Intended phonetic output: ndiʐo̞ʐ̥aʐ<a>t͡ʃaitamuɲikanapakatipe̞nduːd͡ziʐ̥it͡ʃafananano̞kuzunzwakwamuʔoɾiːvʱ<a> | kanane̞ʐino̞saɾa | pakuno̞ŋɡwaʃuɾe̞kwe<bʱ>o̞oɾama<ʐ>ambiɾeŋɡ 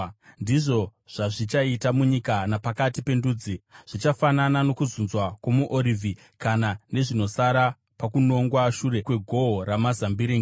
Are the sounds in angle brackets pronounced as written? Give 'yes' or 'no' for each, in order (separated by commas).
no, no, no, no